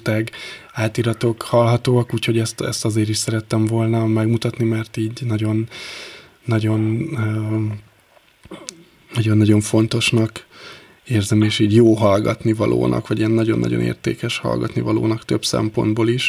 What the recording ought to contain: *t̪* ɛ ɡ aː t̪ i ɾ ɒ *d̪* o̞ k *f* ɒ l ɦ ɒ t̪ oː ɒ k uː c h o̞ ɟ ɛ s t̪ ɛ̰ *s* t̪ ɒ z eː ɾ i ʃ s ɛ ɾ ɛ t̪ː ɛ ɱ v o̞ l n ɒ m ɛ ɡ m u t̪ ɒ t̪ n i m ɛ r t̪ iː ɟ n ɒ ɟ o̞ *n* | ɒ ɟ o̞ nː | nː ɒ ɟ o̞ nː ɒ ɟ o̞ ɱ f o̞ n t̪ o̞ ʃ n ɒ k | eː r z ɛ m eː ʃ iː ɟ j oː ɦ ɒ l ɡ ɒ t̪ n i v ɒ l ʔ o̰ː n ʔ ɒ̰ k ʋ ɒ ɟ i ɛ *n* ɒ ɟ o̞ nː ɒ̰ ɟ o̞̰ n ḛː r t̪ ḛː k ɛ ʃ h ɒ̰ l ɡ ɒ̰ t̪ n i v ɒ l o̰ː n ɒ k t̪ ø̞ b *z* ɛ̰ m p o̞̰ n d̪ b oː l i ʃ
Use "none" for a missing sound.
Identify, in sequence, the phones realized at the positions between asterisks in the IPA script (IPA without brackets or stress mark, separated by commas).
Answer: t̪, t̪, h, s, nː, nː, s